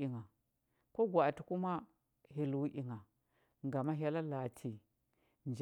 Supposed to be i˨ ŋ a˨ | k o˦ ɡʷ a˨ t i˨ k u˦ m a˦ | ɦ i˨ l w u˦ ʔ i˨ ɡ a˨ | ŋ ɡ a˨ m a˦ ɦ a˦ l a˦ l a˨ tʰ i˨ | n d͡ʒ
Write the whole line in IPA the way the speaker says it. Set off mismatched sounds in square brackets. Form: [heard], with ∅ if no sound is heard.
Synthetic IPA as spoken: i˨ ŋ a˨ | k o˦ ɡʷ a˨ t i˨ k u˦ m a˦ | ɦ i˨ l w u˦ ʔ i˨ [ŋ] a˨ | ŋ ɡ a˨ m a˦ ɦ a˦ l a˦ l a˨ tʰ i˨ | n d͡ʒ